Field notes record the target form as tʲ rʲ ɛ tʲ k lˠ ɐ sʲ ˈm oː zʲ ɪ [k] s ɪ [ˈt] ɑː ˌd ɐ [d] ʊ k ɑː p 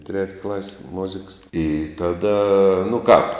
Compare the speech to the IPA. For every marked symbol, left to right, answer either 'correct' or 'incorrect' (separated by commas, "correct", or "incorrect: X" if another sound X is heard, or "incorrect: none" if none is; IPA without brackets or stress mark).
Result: correct, correct, incorrect: n